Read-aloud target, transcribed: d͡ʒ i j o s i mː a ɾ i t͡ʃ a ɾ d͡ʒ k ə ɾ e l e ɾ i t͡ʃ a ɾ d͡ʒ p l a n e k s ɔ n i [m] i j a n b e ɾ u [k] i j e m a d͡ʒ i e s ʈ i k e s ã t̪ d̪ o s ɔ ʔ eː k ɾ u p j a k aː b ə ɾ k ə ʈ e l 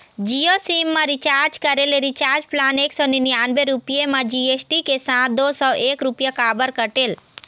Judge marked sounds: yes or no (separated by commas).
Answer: no, no